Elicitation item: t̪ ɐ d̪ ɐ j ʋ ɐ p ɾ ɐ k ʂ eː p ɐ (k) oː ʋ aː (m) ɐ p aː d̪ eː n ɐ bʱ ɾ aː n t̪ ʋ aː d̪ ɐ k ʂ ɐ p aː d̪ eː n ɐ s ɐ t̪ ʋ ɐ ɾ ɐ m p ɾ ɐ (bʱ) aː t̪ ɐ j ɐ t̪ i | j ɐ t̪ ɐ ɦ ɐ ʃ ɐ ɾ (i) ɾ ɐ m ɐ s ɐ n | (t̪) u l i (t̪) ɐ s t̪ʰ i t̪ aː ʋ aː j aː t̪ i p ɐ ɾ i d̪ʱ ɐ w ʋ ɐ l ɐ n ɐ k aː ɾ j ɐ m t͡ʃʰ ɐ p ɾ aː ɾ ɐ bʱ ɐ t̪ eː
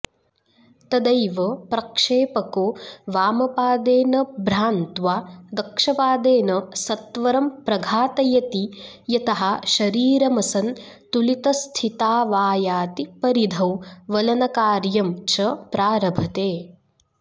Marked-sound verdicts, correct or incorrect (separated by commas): correct, correct, incorrect, incorrect, correct, correct